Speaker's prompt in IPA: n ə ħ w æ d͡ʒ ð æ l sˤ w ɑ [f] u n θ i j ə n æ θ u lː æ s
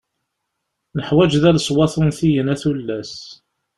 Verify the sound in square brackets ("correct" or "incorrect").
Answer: incorrect